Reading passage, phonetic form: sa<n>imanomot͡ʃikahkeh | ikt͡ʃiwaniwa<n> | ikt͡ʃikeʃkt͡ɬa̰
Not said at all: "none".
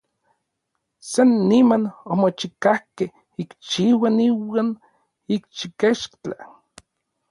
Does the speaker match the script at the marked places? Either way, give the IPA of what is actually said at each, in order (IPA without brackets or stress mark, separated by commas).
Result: nː, n